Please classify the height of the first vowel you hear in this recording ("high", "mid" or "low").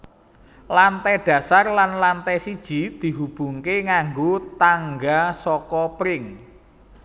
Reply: low